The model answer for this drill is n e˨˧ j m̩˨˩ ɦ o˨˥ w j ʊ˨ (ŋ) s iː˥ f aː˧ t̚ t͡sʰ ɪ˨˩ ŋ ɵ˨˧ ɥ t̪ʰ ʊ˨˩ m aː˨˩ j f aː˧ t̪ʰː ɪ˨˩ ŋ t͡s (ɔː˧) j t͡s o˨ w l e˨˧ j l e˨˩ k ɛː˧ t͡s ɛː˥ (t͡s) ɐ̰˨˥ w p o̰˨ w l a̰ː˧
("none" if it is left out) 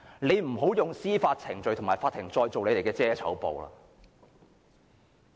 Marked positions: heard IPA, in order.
ŋ, ɔː˧, t͡sʰ

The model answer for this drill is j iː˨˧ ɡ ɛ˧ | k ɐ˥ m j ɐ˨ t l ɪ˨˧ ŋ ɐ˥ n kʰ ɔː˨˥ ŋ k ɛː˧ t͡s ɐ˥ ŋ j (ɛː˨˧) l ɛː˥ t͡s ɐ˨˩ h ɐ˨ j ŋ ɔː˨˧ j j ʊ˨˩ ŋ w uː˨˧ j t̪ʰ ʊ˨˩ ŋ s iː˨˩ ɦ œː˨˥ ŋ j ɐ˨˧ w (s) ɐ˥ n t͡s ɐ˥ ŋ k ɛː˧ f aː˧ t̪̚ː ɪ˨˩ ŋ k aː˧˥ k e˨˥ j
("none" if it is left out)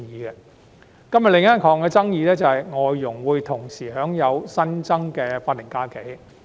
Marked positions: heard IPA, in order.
iː˨˧, s

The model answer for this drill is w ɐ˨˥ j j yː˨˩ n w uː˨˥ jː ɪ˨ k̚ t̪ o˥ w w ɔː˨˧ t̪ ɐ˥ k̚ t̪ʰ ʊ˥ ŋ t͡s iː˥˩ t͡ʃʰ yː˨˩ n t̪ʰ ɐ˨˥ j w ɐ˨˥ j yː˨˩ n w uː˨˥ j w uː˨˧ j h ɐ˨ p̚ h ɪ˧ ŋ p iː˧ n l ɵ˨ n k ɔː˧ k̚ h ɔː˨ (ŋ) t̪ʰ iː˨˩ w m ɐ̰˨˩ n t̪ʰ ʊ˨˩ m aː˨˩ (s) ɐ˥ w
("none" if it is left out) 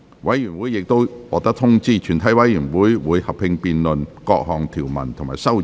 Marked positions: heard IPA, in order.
ŋ, s

